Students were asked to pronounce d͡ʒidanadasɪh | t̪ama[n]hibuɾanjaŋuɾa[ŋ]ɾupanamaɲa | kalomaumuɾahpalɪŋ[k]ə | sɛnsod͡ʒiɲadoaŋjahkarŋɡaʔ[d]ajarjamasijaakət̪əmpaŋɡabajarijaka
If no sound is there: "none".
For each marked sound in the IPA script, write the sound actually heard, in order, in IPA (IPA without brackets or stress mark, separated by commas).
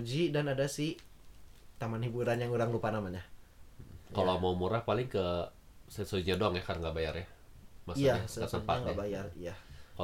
n, ŋ, k, b